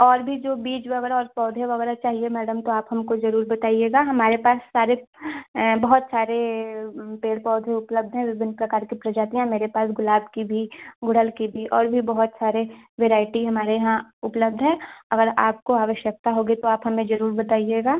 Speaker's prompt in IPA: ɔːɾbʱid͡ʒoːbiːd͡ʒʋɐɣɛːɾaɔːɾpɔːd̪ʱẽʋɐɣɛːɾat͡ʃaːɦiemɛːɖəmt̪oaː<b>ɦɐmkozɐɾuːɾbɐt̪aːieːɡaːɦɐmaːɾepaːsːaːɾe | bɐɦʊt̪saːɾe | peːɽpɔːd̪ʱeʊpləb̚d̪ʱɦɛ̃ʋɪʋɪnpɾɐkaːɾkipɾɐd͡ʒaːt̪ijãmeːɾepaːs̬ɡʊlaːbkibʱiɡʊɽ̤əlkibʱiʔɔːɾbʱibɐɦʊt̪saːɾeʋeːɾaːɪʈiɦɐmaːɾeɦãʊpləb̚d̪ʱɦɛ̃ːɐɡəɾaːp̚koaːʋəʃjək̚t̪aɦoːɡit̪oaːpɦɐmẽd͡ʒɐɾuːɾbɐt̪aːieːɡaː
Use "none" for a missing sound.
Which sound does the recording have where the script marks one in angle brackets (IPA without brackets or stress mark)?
p